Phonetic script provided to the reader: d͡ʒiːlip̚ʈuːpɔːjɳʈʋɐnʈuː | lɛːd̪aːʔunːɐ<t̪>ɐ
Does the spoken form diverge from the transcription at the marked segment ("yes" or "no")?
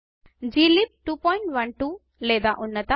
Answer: no